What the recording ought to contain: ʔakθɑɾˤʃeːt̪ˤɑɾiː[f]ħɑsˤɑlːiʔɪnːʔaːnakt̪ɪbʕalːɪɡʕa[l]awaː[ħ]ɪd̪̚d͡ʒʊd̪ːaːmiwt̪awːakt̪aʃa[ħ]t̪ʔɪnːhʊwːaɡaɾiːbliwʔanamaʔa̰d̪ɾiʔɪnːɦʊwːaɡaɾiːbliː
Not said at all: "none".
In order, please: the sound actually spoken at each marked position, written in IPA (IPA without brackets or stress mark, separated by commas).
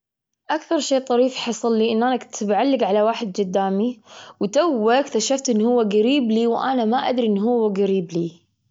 f, l, ħ, f